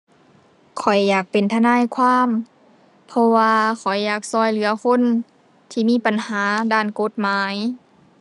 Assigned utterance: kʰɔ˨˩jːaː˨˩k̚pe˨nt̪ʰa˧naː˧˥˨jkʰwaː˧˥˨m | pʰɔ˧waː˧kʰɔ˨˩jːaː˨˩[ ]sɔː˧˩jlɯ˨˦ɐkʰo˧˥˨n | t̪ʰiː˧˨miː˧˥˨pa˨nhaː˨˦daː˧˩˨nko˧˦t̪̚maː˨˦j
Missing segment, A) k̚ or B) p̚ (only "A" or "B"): A